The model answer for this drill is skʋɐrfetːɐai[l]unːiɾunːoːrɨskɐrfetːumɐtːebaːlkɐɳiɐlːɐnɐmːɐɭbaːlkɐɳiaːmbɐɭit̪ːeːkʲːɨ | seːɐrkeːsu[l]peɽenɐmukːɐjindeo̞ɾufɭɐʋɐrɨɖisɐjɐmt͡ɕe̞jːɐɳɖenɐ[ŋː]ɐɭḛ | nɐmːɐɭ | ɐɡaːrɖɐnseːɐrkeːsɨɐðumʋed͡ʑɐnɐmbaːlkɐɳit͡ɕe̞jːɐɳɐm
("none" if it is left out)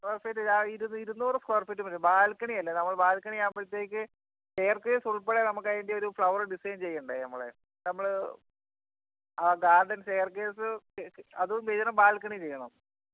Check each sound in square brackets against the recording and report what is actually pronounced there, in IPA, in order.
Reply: ɾ, ɭ, mː

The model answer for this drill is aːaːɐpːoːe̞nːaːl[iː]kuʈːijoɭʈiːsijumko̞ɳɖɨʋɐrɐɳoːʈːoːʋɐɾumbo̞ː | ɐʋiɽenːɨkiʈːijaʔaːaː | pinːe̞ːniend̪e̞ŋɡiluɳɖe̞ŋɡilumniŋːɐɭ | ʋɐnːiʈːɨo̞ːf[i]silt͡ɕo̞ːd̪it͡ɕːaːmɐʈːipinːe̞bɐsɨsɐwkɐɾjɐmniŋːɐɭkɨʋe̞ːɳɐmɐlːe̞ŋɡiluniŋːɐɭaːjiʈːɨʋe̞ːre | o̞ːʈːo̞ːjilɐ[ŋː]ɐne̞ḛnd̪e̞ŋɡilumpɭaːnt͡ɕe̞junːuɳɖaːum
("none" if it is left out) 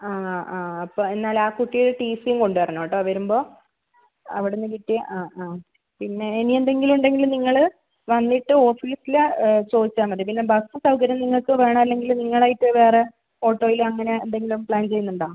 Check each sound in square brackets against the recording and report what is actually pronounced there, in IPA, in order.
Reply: aː, iː, ŋː

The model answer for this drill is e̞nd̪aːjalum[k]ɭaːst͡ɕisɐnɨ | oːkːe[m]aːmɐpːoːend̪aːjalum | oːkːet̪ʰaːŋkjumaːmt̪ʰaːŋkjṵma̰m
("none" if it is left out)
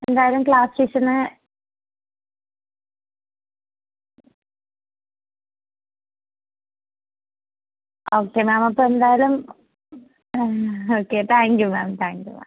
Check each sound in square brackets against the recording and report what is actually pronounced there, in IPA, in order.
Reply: k, m

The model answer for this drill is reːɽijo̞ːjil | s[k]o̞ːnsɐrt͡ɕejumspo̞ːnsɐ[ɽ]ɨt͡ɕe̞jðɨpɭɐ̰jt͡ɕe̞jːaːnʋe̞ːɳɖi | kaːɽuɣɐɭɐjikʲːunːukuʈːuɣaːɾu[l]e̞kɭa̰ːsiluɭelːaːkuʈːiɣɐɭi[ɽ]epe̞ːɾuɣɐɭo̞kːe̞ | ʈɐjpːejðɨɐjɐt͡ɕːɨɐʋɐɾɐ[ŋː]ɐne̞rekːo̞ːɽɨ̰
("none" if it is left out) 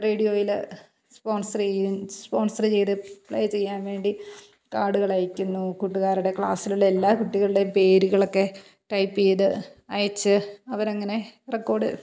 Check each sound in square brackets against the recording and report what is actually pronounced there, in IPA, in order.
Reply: p, r, ɽ, ɽ, ŋː

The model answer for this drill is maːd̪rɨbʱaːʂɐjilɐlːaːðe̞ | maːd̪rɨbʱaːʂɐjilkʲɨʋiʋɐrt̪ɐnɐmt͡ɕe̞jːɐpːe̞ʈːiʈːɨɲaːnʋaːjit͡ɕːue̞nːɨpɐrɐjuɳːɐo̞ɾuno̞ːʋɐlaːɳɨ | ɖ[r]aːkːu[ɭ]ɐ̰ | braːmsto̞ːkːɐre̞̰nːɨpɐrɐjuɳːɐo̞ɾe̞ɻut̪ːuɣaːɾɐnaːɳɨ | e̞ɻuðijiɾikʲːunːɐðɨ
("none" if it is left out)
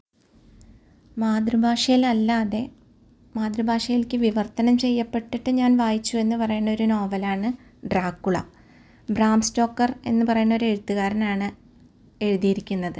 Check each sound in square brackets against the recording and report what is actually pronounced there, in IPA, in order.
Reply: r, ɭ

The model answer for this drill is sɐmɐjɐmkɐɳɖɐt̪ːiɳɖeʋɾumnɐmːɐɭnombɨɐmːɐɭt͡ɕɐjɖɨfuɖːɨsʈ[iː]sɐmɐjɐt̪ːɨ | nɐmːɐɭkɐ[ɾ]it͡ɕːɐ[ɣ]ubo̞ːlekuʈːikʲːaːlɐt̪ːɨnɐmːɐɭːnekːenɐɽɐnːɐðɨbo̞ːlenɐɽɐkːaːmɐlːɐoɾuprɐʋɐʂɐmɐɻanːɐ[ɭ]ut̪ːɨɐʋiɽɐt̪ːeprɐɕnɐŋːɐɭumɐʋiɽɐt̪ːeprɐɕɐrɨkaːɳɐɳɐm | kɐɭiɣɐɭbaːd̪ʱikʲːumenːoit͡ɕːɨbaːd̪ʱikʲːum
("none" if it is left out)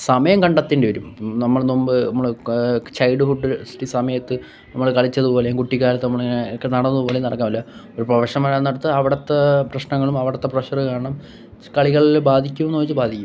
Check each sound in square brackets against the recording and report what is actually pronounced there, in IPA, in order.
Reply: i, ɭ, ð, ɽ

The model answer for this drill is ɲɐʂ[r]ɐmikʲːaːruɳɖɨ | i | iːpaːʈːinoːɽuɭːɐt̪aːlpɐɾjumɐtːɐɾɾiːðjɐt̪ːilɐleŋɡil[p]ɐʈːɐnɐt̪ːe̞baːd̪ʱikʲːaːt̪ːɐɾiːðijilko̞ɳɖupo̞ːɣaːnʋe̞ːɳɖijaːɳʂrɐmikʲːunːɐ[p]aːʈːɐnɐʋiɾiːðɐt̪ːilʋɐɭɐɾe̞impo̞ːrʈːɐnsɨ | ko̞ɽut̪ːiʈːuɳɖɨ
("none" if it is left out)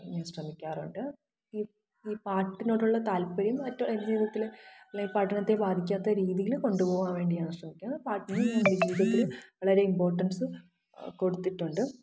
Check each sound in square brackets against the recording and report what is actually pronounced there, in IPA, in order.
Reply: r, p, p

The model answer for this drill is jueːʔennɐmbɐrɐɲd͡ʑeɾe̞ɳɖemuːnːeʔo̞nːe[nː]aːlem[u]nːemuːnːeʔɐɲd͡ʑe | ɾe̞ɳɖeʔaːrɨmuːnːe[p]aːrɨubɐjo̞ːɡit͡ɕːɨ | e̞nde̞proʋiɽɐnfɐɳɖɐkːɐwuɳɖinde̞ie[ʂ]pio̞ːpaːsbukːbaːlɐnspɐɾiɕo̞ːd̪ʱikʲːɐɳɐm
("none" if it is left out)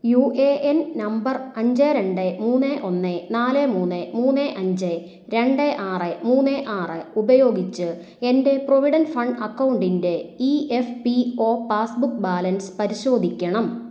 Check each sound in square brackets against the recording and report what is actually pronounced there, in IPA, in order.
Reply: n, uː, ʔ, f

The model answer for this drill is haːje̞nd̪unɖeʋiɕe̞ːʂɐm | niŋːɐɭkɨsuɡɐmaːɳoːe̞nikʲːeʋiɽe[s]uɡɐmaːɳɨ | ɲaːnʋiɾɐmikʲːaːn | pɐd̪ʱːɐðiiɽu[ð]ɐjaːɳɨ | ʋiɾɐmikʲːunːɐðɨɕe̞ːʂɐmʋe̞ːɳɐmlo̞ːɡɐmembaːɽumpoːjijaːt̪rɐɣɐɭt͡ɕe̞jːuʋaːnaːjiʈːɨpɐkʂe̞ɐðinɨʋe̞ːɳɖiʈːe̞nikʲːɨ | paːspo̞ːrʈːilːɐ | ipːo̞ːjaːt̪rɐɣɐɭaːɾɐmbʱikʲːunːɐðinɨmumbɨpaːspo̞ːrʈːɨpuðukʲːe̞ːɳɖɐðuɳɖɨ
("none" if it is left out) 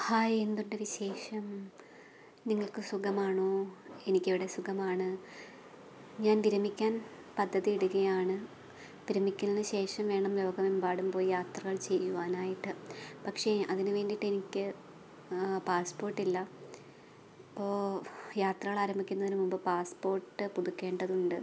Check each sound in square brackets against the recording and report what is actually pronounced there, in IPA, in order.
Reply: s, ɣ

